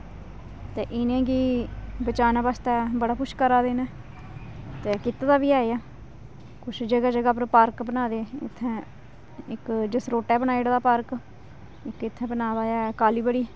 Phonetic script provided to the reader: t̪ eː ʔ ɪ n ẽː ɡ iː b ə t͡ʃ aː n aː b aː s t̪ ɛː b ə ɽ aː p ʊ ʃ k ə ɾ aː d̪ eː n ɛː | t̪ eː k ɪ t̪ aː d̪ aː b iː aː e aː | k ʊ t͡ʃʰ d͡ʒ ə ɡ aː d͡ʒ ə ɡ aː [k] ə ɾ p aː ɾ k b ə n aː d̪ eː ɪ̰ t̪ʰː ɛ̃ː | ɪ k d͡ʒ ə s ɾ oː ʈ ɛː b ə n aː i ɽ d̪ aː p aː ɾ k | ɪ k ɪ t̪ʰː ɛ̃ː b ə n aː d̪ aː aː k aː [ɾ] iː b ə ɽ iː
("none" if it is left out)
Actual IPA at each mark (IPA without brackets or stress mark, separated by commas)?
p, l